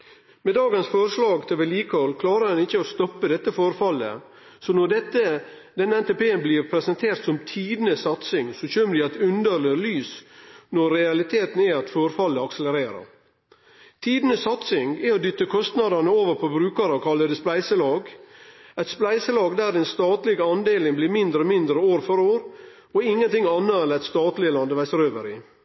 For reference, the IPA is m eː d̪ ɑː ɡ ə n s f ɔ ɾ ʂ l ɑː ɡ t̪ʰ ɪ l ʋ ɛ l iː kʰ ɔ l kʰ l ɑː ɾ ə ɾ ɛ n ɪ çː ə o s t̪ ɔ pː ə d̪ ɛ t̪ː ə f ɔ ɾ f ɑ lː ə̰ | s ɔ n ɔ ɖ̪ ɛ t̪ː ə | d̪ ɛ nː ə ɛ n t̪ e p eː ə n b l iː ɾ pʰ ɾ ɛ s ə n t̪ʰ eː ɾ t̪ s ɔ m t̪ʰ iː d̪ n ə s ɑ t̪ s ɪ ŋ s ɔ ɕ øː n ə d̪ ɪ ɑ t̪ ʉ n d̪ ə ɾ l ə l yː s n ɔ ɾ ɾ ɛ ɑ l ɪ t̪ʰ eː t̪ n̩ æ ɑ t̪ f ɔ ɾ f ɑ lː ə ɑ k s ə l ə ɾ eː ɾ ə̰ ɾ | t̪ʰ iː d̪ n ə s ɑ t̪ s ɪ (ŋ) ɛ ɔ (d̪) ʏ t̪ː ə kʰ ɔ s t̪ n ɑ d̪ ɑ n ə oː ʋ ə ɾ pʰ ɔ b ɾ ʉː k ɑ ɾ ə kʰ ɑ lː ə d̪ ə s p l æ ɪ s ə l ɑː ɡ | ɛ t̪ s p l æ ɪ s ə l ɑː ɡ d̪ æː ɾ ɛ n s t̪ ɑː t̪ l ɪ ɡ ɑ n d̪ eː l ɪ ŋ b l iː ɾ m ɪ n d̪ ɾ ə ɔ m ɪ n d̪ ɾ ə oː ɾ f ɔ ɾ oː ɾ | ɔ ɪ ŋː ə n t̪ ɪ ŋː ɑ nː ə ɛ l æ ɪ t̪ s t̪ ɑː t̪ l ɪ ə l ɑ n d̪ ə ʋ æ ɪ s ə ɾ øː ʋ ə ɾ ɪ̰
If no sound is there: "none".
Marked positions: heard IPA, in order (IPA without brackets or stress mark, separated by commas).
ŋ, d̪